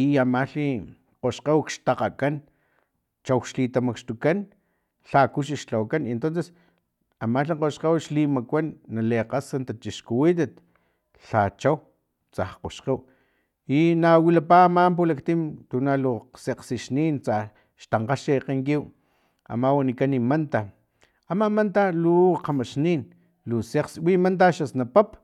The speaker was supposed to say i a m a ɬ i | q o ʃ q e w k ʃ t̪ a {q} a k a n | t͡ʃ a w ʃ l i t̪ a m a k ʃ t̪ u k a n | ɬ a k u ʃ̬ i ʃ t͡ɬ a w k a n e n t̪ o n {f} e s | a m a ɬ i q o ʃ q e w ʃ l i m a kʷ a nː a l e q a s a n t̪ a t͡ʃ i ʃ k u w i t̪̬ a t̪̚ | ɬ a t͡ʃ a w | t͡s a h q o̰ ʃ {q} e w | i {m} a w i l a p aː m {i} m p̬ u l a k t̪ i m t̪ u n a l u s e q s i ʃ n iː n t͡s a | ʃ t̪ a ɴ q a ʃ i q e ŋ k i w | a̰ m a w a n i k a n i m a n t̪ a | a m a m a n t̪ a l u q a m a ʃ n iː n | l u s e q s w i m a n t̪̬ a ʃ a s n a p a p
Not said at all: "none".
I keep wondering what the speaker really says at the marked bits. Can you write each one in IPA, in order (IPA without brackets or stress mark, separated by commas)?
q, s, q, n, a